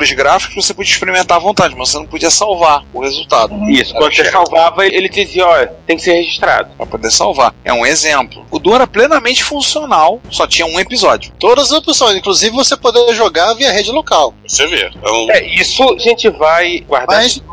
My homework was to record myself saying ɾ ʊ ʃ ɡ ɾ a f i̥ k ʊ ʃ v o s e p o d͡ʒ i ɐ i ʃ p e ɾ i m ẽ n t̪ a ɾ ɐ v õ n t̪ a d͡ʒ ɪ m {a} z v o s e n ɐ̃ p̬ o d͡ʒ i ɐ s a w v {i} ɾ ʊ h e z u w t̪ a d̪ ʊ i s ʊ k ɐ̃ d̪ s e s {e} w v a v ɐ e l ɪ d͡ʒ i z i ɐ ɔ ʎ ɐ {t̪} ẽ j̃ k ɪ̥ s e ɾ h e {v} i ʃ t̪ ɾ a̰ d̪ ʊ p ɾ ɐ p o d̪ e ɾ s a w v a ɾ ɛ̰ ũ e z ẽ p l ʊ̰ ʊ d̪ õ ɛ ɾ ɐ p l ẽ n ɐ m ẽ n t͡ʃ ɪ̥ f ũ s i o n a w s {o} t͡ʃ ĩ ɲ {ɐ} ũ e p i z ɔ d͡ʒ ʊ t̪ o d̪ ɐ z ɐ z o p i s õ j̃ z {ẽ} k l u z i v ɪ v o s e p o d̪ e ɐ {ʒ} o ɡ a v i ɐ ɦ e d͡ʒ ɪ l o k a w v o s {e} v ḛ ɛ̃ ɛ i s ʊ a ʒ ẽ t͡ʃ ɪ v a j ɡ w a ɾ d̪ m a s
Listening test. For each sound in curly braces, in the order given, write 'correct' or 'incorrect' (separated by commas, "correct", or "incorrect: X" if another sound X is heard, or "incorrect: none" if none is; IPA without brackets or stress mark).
incorrect: ɐ, incorrect: a, incorrect: a, correct, incorrect: ʒ, incorrect: ɔ, correct, incorrect: ĩ, correct, correct